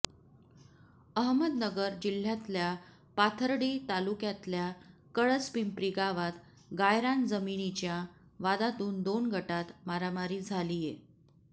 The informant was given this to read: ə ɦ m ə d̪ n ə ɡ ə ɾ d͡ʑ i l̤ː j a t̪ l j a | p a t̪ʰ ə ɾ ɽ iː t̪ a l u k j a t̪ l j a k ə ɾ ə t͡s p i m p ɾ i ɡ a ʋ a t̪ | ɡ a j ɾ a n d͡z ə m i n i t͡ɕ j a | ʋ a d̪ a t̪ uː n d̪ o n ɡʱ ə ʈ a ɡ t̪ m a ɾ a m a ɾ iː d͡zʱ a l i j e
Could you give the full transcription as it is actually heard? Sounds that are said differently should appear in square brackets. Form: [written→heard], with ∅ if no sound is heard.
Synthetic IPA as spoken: ə ɦ m ə d̪ n ə ɡ ə ɾ d͡ʑ i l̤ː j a t̪ l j a | p a t̪ʰ ə ɾ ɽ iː t̪ a l u k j a t̪ l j a k ə [ɾ→ɭ] ə t͡s p i m p ɾ i ɡ a ʋ a t̪ | ɡ a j ɾ a n d͡z ə m i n i t͡ɕ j a | ʋ a d̪ a t̪ uː n d̪ o n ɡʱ ə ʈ a [ɡ→∅] t̪ m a ɾ a m a ɾ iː d͡zʱ a l i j e